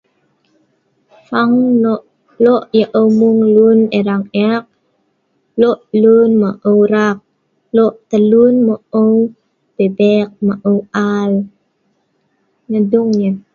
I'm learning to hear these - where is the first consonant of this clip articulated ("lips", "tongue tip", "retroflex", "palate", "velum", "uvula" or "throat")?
lips